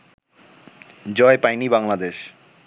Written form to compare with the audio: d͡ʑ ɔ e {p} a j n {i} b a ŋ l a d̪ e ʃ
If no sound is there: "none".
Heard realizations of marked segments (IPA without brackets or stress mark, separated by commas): p, i